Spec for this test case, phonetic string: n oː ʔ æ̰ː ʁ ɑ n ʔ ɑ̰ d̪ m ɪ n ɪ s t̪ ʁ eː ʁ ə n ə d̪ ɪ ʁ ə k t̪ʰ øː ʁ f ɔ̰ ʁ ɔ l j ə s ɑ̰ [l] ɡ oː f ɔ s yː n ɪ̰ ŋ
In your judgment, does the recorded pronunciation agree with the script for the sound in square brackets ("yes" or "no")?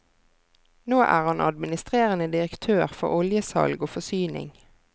yes